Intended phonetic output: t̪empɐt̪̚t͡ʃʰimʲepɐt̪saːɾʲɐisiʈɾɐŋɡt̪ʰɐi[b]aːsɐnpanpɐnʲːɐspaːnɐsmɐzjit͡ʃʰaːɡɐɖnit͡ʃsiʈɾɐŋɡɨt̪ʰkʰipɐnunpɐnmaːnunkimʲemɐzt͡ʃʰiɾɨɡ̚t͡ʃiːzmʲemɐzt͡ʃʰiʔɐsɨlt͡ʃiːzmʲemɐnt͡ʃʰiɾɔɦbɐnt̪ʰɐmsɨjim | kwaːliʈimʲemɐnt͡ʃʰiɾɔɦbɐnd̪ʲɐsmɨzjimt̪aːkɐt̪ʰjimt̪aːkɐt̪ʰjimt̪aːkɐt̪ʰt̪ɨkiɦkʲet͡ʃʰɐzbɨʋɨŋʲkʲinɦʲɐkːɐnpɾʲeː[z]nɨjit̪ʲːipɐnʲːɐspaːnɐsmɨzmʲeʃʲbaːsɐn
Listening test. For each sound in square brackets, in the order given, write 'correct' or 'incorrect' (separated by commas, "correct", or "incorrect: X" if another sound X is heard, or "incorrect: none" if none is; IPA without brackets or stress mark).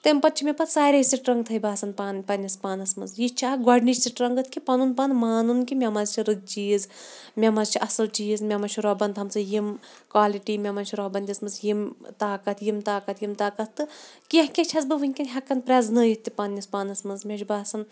correct, correct